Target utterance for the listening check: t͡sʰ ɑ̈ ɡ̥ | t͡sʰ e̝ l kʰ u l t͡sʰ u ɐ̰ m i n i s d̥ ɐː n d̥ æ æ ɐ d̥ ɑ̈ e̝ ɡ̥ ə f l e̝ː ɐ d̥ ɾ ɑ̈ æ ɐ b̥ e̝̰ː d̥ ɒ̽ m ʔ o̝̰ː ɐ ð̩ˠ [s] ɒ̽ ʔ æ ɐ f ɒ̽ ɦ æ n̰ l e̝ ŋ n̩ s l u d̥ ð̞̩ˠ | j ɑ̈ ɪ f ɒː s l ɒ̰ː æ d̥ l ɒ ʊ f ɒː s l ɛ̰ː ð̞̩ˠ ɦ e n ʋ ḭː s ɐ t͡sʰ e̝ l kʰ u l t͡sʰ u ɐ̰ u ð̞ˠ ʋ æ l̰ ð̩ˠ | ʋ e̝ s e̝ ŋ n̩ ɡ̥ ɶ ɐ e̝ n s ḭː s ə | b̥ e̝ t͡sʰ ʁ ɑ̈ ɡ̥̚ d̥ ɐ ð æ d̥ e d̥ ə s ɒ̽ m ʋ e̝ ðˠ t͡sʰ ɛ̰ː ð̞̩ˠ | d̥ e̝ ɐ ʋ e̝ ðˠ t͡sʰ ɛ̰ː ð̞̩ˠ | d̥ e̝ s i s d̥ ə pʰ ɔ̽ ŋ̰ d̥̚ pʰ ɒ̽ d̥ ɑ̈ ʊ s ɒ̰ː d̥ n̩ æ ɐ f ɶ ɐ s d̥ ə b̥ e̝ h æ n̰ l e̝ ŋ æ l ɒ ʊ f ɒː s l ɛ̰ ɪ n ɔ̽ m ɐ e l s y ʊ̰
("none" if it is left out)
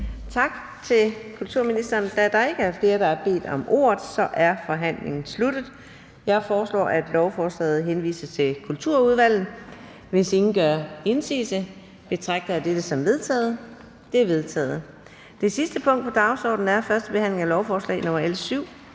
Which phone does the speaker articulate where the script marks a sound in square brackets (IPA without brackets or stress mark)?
s